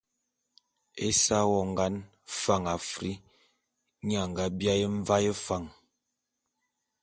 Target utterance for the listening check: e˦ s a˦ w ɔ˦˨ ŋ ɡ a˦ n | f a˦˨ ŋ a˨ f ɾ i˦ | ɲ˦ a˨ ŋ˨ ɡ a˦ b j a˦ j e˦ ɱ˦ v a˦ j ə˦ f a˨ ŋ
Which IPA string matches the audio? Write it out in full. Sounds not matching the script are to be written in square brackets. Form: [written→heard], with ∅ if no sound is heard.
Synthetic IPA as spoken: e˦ s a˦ w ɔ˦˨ ŋ ɡ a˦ n | f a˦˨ ŋ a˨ f ɾ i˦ | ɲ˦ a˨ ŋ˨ ɡ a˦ b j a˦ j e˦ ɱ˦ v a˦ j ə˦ f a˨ ŋ